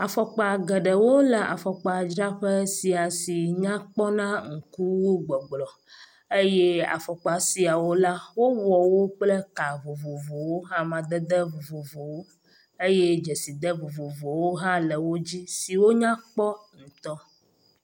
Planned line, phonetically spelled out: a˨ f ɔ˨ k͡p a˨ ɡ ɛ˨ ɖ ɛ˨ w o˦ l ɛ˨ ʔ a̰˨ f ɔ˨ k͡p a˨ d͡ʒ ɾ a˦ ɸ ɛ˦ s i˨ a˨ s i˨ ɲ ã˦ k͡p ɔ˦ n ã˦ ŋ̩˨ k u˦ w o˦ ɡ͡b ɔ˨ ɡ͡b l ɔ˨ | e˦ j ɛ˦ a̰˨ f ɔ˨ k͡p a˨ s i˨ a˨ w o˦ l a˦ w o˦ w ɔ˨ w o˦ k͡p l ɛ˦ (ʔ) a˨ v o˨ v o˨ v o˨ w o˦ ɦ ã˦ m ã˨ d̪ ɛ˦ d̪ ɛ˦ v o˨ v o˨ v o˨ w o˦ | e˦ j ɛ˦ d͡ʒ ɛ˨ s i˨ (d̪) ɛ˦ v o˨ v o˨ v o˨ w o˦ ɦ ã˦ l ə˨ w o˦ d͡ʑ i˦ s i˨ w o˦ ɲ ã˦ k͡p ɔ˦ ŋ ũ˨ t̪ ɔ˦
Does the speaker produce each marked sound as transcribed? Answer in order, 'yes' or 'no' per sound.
no, yes

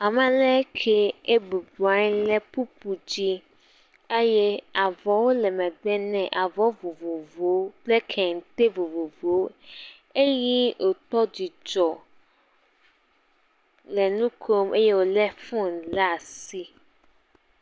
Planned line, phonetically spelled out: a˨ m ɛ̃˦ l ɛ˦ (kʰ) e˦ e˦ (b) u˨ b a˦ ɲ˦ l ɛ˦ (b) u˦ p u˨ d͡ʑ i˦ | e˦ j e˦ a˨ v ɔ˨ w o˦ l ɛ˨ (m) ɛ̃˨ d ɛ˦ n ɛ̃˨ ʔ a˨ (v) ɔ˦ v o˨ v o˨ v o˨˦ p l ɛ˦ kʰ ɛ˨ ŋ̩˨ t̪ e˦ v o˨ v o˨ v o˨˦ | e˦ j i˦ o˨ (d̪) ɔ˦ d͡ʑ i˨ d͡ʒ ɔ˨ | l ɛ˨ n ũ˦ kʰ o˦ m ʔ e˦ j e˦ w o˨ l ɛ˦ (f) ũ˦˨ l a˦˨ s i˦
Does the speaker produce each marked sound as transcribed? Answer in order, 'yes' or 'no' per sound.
yes, yes, no, yes, yes, no, yes

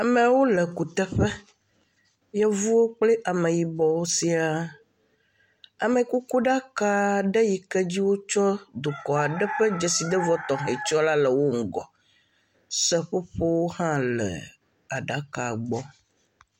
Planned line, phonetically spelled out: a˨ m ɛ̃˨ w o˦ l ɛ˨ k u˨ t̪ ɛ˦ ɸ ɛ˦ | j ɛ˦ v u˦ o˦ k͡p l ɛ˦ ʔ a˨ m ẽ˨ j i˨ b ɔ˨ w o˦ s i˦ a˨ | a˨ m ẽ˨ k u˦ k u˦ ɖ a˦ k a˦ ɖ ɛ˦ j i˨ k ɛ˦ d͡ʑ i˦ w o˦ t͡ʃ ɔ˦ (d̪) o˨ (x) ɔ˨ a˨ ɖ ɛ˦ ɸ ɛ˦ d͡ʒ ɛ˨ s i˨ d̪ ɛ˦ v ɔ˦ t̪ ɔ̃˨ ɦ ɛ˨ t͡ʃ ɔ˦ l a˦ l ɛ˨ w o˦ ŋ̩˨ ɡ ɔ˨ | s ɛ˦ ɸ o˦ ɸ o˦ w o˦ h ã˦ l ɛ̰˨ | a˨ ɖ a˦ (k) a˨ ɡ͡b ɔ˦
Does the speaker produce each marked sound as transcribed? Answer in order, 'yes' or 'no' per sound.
yes, no, yes

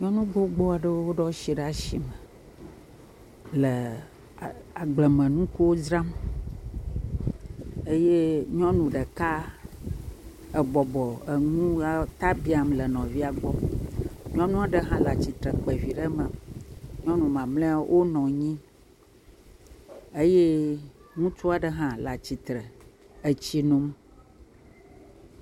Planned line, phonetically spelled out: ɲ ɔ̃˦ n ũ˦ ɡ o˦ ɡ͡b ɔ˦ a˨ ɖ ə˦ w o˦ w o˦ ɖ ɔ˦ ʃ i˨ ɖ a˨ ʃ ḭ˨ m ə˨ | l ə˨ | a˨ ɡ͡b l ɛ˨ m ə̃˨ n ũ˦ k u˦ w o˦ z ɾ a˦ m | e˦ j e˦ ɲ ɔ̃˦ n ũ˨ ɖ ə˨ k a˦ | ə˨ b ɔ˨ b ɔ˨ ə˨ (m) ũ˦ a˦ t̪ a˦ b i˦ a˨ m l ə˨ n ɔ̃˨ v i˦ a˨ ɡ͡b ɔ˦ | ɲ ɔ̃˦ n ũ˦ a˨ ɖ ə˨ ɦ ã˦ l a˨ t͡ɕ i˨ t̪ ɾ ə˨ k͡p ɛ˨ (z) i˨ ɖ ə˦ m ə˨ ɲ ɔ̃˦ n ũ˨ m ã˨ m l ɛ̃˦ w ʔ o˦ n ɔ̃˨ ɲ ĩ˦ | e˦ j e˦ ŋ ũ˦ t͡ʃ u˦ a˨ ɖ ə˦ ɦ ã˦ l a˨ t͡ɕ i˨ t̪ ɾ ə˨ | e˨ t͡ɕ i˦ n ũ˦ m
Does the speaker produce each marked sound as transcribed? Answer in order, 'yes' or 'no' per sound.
no, no

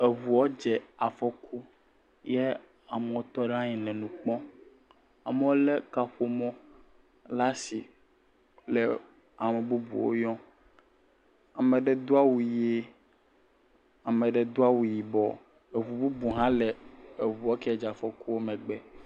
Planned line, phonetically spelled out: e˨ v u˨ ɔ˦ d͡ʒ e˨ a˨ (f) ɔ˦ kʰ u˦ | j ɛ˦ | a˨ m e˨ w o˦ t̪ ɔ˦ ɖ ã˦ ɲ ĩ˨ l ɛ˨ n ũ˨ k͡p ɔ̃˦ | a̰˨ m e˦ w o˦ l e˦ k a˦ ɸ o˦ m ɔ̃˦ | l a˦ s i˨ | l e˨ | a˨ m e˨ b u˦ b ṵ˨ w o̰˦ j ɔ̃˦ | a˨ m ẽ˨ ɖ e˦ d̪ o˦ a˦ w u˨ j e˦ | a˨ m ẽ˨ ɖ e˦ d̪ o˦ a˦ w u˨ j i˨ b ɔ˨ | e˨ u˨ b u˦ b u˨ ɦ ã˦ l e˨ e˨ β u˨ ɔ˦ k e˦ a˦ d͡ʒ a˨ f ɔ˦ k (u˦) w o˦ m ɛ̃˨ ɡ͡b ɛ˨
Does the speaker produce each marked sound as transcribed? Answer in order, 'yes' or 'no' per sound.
yes, yes

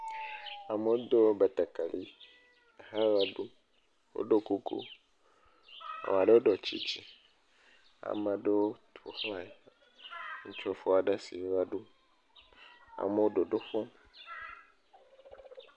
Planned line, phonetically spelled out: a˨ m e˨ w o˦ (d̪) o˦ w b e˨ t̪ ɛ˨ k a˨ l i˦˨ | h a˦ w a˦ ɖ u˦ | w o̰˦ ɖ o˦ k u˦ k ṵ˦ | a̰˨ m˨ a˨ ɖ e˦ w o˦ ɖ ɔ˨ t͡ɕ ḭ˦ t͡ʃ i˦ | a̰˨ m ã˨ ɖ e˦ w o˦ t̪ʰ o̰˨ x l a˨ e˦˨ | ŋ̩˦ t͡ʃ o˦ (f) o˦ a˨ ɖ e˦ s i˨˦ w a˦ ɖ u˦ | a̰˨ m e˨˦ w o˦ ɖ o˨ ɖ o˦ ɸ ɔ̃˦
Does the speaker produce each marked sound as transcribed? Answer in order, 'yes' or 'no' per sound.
yes, yes

